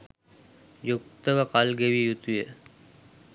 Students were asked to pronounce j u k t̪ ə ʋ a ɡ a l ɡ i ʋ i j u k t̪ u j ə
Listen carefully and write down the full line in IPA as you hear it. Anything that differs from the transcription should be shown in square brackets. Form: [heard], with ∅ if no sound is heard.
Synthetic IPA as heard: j u k t̪ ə ʋ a [k] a l ɡ [e] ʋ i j u [∅] t̪ u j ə